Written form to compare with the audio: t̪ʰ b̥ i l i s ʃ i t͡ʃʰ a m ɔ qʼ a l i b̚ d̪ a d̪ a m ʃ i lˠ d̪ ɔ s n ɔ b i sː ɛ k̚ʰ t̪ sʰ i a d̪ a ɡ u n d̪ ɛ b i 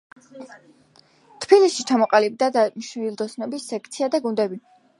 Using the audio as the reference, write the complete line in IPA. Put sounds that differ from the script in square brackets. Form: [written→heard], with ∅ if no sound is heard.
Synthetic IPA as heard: t̪ʰ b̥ i l i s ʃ i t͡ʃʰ a m ɔ qʼ a l i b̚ d̪ a d̪ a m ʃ i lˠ d̪ ɔ s n ɔ b i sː ɛ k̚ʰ t̪ sʰ i a d̪ a ɡ u n d̪ ɛ b i